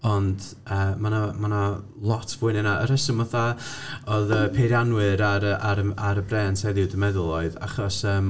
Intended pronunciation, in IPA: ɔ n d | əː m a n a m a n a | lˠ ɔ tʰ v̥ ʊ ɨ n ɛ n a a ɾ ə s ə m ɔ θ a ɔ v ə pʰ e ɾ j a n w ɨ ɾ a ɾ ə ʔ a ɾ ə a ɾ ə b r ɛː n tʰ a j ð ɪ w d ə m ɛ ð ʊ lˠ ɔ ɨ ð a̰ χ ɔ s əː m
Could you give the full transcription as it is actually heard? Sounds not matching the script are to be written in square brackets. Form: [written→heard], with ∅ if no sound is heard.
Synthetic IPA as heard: ɔ n d | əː m a n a m a n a | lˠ ɔ tʰ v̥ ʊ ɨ n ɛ n a [a→ə] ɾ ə s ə m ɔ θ a ɔ [v→ð] ə pʰ e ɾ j a n w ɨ ɾ a ɾ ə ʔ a ɾ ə a ɾ ə b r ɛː n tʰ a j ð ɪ w d ə m ɛ ð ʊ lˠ ɔ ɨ ð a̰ χ ɔ s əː m